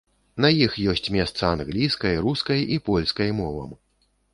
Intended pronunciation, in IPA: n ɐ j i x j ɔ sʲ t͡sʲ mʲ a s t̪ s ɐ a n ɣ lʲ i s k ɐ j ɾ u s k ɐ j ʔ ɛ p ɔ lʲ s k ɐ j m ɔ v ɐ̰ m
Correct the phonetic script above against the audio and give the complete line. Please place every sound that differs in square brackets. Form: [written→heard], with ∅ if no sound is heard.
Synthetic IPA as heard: n ɐ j i x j ɔ sʲ t͡sʲ mʲ [a→ɛ] s t̪ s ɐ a n ɣ lʲ i s k ɐ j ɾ u s k ɐ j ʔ [ɛ→i] p ɔ lʲ s k ɐ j m ɔ v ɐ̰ m